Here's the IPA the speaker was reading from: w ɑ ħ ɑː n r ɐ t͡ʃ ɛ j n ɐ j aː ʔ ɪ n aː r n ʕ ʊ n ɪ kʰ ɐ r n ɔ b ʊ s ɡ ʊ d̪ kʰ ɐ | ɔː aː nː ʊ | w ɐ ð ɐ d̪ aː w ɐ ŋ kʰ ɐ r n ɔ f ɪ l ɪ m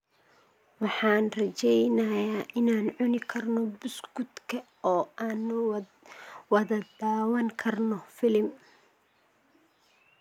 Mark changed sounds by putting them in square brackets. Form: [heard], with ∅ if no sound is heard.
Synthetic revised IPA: w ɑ ħ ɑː n r ɐ t͡ʃ ɛ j n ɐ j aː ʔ ɪ n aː [∅] n ʕ ʊ n ɪ kʰ ɐ r n ɔ b ʊ s ɡ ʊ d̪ kʰ ɐ | ɔː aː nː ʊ | w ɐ ð ɐ d̪ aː w ɐ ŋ kʰ ɐ r n ɔ f ɪ l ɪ m